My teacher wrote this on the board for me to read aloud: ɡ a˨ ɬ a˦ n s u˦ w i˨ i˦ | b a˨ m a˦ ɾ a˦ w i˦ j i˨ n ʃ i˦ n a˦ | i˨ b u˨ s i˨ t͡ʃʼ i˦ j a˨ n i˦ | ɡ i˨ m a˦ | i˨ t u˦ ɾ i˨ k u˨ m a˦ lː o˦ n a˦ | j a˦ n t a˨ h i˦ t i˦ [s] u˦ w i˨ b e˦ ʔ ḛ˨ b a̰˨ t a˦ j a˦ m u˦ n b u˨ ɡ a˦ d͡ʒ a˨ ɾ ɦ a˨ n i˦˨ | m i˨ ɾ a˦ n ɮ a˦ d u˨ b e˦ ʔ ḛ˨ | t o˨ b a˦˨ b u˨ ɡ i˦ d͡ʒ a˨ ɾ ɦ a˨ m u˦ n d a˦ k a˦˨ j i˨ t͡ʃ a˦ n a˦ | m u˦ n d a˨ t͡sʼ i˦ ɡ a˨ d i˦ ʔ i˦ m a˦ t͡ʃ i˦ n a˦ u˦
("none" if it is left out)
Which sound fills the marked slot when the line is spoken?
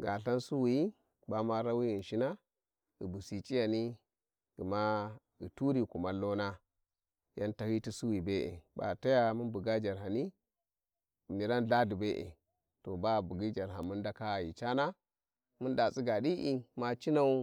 s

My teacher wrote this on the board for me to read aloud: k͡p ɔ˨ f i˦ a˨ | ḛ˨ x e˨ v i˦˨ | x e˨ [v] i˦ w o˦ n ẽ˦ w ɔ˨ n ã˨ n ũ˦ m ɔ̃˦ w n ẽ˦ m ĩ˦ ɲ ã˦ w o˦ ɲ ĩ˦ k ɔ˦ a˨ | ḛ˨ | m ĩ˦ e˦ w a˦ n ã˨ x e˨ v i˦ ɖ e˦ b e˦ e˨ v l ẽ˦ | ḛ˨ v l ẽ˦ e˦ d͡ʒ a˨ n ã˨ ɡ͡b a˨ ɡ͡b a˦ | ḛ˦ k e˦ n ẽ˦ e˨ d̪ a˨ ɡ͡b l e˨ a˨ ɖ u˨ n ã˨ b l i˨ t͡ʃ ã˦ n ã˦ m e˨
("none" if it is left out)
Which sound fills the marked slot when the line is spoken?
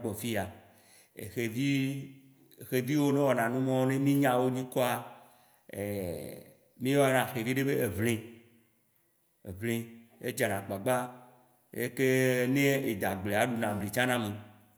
v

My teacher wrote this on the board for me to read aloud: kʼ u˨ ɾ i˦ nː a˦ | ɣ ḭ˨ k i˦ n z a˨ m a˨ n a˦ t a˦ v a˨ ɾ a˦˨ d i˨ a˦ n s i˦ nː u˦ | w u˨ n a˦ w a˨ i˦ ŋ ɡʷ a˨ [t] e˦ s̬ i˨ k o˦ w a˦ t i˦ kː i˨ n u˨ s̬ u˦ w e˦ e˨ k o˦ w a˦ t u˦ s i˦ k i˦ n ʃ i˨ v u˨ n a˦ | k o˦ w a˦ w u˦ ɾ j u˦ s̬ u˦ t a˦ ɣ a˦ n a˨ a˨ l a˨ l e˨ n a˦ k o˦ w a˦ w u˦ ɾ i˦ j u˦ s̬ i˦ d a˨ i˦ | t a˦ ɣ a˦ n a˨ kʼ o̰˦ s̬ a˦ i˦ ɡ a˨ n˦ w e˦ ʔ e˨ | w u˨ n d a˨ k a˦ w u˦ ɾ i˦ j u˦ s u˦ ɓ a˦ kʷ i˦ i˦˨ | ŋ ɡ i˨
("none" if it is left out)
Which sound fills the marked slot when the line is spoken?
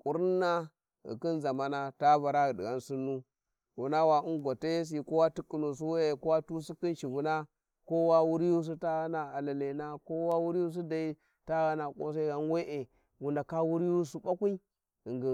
t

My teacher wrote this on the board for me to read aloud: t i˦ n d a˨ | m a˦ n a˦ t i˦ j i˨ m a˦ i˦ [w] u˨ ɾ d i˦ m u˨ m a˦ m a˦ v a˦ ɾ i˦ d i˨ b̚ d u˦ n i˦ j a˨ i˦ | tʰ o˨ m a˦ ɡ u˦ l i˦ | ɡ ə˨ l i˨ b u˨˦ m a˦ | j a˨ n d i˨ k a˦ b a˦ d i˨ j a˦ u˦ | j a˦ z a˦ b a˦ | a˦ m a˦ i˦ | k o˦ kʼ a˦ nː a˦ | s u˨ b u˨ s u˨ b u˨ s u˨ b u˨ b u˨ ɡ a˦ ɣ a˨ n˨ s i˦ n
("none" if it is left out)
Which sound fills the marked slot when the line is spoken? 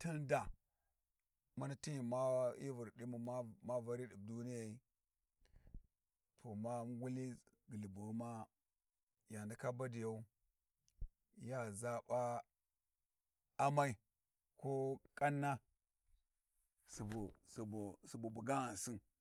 v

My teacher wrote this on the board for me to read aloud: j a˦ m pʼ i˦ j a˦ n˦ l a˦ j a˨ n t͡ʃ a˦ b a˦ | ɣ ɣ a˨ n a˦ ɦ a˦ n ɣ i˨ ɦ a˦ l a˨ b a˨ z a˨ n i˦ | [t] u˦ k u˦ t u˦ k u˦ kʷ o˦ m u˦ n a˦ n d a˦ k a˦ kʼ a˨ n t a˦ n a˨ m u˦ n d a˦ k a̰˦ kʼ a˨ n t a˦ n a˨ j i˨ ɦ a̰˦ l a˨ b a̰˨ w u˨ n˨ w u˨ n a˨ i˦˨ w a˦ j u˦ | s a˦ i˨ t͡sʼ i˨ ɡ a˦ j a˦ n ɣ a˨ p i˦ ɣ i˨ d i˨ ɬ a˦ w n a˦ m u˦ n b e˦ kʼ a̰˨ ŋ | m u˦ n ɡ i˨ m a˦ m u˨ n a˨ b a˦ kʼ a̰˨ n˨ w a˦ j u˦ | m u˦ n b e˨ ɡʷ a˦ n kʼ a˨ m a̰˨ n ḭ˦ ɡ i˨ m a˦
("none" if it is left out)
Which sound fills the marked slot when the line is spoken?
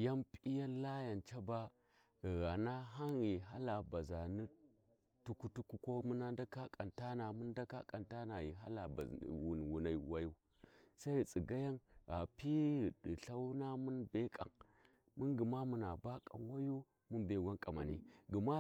t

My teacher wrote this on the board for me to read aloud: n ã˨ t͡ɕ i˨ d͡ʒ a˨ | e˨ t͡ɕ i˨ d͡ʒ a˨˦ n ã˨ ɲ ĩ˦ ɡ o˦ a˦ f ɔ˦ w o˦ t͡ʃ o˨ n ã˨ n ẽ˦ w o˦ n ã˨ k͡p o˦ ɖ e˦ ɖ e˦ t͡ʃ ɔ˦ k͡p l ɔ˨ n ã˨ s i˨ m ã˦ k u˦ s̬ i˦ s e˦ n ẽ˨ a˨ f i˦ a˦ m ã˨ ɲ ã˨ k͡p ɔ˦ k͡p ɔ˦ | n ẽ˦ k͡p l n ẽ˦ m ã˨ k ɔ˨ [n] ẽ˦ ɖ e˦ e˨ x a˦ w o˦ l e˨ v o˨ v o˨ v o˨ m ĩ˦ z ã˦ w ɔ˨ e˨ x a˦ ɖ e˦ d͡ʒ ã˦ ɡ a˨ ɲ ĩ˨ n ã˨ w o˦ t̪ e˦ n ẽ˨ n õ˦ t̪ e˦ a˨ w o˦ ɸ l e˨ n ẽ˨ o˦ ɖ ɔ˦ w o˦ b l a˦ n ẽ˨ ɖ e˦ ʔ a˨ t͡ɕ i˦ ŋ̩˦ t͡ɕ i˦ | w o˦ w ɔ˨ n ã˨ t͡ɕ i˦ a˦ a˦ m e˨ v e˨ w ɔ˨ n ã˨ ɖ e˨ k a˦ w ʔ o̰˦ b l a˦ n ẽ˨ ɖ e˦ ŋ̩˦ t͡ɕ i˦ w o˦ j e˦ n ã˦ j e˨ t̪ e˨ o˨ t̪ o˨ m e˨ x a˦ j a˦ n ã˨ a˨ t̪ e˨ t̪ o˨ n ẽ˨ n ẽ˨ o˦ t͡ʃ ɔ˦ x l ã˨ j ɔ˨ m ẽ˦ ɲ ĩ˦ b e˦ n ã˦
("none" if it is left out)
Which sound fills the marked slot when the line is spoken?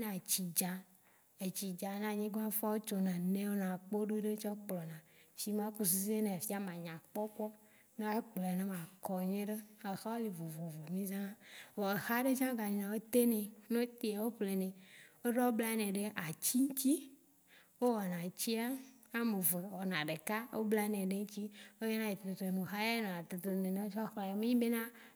ɲ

